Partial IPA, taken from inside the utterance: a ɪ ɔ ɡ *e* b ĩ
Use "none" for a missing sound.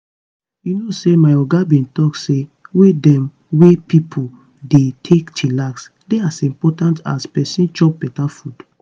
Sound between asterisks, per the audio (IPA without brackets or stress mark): a